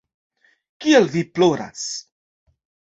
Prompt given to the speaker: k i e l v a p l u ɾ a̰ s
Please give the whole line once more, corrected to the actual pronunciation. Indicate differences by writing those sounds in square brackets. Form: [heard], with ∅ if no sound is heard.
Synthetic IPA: k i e l v [i] p l [o] ɾ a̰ s